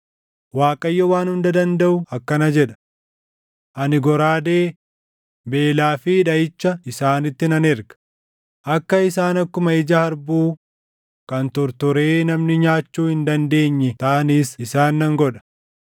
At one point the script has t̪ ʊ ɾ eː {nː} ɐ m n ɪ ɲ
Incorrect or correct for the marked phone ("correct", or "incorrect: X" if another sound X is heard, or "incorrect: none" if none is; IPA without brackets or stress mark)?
incorrect: n